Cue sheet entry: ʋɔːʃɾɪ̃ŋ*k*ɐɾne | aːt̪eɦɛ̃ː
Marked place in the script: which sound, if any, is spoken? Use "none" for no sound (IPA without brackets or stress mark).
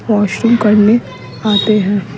k